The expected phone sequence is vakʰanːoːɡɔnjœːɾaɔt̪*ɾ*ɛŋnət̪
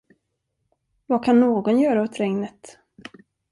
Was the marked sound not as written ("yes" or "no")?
no